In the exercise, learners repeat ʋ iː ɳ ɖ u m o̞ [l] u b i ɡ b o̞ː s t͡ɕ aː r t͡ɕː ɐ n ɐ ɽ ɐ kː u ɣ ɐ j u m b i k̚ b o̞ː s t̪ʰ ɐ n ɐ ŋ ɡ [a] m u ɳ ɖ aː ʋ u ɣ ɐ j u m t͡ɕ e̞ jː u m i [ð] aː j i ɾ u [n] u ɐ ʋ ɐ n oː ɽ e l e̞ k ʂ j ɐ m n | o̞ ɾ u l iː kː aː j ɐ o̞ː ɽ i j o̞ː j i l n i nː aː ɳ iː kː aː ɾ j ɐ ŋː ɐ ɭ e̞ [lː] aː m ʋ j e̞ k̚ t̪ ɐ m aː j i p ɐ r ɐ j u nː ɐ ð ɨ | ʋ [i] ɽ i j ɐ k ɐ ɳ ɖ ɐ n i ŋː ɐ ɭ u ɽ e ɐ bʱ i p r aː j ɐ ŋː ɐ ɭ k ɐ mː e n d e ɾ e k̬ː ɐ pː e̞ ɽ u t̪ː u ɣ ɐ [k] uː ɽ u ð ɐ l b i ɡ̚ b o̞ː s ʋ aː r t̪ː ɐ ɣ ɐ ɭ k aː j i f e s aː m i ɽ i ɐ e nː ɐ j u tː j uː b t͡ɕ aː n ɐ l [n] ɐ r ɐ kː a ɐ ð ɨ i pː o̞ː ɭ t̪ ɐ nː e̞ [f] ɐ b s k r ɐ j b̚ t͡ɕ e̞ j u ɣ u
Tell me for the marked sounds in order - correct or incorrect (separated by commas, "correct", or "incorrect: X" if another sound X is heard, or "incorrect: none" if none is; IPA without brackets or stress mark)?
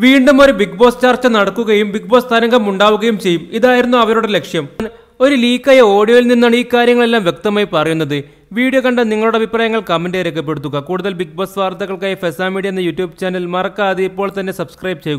incorrect: ɾ, incorrect: ɐ, correct, incorrect: nː, correct, incorrect: iː, correct, incorrect: m, incorrect: s